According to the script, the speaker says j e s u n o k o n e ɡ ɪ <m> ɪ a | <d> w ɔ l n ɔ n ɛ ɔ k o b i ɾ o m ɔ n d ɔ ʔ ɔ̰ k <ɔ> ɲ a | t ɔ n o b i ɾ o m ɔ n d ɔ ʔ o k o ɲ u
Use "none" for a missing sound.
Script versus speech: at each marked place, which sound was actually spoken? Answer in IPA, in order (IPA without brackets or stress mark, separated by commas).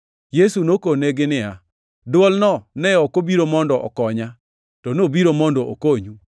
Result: n, d, ɔ